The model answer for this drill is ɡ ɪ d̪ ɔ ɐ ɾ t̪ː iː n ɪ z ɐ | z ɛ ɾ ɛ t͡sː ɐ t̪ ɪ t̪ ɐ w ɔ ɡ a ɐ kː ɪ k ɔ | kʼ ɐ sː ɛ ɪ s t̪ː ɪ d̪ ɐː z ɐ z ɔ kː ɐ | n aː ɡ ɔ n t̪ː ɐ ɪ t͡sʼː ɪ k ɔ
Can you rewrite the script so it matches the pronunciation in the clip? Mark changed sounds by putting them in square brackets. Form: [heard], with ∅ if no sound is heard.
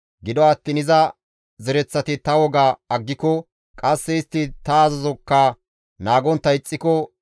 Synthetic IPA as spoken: ɡ ɪ d̪ ɔ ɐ [∅] t̪ː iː n ɪ z ɐ | z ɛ ɾ ɛ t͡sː ɐ t̪ ɪ t̪ ɐ w ɔ ɡ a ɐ [ɡː] ɪ k ɔ | kʼ ɐ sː ɛ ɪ s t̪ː ɪ [t̪] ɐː z ɐ z ɔ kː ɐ | n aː ɡ ɔ n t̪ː ɐ ɪ t͡sʼː ɪ k ɔ